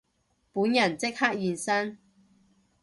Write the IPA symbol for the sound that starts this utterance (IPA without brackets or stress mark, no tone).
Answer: p